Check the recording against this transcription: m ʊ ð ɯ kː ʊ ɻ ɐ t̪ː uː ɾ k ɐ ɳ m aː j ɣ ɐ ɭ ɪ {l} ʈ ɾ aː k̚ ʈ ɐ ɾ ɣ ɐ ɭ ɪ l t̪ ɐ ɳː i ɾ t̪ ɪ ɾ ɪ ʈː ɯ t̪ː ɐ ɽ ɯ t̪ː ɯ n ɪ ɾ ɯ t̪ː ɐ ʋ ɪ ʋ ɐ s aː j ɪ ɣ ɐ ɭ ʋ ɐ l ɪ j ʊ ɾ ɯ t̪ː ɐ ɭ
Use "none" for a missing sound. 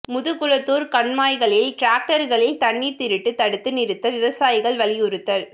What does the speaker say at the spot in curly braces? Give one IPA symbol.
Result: l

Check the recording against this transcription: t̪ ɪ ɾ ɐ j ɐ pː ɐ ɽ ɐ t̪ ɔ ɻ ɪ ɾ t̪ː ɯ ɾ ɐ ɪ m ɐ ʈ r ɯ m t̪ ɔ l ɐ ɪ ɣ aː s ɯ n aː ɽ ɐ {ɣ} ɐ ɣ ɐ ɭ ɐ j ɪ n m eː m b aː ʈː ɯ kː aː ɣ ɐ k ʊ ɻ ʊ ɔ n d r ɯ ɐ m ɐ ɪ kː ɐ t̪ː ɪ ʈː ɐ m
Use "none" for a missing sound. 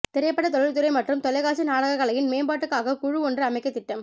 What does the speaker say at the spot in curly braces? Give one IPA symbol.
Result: ɣ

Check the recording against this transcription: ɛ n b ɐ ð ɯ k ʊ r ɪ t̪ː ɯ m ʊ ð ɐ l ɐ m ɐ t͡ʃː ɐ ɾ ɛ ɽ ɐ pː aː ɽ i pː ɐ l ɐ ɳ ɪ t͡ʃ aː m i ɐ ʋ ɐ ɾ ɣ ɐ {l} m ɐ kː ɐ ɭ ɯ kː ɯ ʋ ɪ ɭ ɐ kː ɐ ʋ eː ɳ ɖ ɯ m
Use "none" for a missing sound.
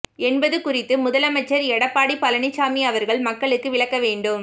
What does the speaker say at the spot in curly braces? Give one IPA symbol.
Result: ɭ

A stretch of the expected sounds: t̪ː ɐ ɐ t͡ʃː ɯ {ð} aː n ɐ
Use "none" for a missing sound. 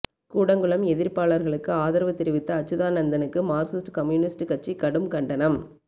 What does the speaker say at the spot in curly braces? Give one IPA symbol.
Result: ð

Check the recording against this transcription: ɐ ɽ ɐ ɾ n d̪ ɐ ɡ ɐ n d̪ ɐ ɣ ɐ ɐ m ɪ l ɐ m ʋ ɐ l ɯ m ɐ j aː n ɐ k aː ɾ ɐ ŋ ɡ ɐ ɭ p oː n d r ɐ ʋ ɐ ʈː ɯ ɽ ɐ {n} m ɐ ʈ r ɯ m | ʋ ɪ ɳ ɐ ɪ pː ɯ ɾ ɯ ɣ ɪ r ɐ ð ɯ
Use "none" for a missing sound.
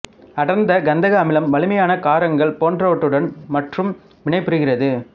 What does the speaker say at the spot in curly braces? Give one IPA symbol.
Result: n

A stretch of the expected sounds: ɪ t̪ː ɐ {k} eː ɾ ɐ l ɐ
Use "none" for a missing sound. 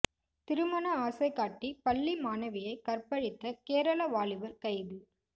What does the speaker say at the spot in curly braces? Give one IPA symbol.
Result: k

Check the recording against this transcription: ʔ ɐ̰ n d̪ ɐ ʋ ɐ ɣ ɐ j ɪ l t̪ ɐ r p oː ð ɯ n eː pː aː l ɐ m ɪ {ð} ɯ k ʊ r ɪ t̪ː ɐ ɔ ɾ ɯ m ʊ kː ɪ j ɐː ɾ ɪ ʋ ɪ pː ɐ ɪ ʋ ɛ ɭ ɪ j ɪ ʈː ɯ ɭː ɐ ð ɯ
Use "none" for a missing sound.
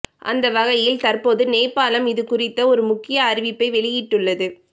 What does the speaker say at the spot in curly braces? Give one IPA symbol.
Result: ð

